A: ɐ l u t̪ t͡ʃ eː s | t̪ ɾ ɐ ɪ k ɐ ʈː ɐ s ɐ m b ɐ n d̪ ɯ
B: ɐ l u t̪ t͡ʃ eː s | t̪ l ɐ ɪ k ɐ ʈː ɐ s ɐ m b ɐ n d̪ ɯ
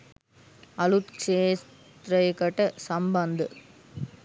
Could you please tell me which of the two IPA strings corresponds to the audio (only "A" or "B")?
A